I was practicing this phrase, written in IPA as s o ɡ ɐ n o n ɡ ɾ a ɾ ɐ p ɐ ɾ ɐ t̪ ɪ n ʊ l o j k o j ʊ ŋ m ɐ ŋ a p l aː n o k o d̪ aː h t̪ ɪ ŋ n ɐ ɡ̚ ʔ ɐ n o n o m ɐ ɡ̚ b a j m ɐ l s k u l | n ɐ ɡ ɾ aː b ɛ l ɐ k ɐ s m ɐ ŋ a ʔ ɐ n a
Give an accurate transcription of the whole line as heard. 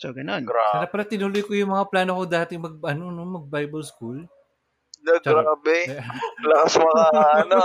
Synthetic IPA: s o ɡ ɐ n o n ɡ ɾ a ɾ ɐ p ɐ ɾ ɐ t̪ ɪ n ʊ l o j k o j ʊ ŋ m ɐ ŋ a p l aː n o k o d̪ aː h t̪ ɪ ŋ m ɐ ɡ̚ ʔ ɐ n o n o m ɐ ɡ̚ b a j b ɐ l s k u l | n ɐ ɡ ɾ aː b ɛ l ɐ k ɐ s m ɐ ŋ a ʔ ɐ n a